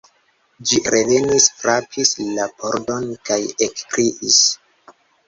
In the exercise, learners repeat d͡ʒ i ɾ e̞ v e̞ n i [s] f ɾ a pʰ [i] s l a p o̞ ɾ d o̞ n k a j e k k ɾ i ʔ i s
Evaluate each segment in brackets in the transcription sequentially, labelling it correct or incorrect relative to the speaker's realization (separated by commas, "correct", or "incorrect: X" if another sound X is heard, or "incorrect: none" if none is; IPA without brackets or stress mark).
correct, correct